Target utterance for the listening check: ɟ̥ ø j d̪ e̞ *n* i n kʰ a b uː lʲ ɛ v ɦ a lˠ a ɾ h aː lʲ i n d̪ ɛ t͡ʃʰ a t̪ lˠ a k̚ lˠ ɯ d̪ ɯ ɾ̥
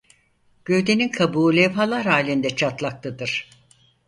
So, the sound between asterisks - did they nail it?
yes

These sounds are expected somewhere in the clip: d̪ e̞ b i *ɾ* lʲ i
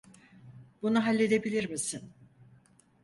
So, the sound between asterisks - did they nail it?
no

